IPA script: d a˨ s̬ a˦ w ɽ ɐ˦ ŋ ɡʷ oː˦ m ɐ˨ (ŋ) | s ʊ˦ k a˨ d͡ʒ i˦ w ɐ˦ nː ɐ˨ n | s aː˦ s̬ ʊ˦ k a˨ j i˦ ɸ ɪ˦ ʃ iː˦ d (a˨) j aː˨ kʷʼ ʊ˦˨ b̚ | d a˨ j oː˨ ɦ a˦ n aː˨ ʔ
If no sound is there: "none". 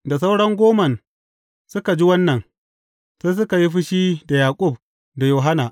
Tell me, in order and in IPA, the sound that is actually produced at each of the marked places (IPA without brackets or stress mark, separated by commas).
n, a˨